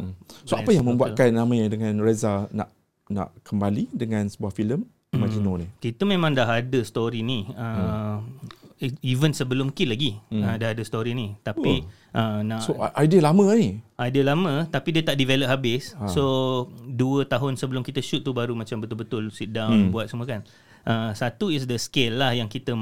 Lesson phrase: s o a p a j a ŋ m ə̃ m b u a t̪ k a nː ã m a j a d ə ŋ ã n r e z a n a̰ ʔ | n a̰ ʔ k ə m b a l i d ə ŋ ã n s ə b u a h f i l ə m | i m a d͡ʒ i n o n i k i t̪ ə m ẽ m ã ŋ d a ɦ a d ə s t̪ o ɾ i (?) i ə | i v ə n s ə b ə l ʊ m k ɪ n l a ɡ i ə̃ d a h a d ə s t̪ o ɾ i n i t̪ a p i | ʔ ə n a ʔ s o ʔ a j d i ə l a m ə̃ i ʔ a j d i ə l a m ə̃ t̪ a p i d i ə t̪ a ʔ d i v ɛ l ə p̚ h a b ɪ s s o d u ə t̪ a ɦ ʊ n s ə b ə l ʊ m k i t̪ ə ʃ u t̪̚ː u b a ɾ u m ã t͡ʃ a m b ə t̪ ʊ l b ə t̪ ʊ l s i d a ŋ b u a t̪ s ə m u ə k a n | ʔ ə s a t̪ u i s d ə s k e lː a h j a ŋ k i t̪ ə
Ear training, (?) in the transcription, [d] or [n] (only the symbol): n